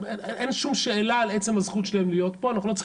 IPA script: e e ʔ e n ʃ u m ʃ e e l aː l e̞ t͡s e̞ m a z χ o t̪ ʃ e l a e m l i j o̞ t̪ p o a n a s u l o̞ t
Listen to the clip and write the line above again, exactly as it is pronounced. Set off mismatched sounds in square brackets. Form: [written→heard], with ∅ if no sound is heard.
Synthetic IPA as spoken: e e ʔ e n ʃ u m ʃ e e l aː l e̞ t͡s e̞ m a z χ [o→u] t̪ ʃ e l a e m l i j o̞ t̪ p o a n a [s→χ] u l o̞ [t→t͡s]